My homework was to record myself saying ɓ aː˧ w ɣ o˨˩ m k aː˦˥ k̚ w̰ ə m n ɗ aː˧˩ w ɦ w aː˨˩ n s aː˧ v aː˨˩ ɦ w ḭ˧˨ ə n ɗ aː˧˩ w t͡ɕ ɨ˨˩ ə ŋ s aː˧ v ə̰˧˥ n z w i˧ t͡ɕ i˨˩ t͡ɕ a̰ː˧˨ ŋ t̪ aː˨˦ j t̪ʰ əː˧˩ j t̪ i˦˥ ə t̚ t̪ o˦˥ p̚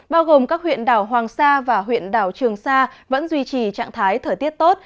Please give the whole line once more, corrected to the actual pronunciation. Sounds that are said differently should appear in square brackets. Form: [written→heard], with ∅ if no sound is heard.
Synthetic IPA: ɓ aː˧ w ɣ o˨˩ m k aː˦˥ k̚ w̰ ə [m→∅] n ɗ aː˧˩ w ɦ w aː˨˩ [n→ŋ] s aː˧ v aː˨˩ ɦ w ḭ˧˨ ə n ɗ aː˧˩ w t͡ɕ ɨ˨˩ ə ŋ s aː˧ v ə̰˧˥ n z w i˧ t͡ɕ i˨˩ t͡ɕ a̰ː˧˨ ŋ [t̪→t̪ʰ] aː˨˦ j t̪ʰ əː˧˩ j t̪ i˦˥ ə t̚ t̪ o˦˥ [p̚→t̚]